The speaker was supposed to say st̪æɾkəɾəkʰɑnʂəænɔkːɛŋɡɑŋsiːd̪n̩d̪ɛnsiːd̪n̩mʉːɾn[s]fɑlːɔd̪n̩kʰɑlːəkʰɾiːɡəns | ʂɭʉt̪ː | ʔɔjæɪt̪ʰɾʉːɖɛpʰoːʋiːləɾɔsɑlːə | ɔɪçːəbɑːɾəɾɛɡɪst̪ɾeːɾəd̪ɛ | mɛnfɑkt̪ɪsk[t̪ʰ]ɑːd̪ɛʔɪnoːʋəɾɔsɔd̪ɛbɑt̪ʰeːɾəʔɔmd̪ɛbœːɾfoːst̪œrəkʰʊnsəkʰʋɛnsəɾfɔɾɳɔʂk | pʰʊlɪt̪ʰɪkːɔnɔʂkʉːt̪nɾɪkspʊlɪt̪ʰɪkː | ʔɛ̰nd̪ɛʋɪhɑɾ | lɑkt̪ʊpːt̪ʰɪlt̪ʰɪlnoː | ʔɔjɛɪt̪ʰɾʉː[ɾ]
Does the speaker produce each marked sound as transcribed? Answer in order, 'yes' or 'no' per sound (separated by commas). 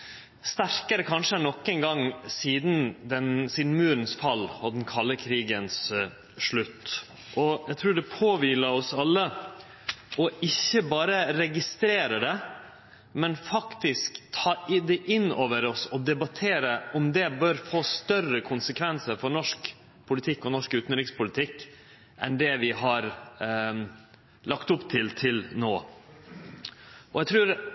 yes, yes, yes